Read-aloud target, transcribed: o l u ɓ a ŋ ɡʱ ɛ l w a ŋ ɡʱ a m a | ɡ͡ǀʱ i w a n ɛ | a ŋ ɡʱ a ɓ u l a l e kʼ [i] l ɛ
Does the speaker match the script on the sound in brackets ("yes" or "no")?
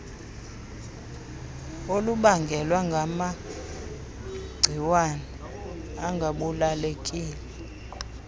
no